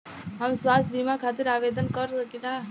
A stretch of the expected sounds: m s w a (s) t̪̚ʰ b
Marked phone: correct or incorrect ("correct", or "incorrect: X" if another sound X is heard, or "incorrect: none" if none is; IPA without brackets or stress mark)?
correct